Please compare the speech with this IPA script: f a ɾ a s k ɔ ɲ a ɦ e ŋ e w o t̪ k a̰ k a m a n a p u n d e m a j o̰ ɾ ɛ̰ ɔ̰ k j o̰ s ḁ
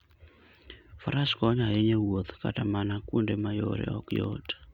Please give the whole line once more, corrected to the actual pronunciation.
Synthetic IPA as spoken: f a ɾ a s k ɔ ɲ a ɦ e ɲ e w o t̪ k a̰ t a m a n a k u n d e m a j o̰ ɾ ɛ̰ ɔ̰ k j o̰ t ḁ